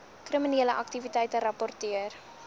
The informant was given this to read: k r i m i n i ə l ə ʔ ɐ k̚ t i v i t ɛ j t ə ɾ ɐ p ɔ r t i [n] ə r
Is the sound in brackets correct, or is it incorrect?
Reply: incorrect